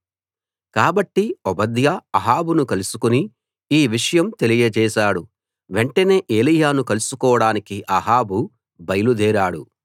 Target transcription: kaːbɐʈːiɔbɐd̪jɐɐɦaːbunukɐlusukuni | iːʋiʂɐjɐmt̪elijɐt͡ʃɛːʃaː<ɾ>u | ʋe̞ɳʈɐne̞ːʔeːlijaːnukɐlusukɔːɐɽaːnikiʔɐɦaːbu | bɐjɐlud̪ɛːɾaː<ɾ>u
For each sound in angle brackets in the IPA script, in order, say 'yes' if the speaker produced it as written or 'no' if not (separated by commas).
no, no